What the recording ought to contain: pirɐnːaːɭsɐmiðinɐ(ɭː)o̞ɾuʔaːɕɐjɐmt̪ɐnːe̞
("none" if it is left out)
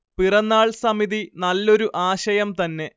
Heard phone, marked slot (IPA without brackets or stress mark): lː